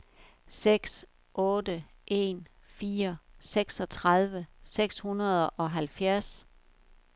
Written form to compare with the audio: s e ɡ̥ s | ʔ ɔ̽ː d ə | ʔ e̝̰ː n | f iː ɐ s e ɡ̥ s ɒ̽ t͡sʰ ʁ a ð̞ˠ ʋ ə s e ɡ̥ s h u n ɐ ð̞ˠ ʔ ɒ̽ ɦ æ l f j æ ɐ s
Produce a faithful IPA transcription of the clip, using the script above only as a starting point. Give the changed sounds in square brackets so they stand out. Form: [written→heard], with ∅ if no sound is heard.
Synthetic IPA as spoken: s e ɡ̥ s | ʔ ɔ̽ː d ə | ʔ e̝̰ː n | f iː ɐ s e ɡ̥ s ɒ̽ t͡sʰ ʁ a ð̞ˠ ʋ ə s e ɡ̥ s h u n ɐ ð̞ˠ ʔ ɒ̽ ɦ æ l f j æ ɐ s